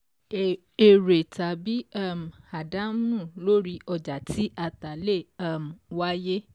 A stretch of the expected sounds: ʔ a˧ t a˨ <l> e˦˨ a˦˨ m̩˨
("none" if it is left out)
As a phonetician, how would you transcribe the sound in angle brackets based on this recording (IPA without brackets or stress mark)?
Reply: l